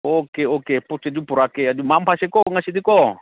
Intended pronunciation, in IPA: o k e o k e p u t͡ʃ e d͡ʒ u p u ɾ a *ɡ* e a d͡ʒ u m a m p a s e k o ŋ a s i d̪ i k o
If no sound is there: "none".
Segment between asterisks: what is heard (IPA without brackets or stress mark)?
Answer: k